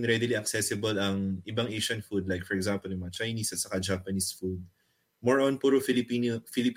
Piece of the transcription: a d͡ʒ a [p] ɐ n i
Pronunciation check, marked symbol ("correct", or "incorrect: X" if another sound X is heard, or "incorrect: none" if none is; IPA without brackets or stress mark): correct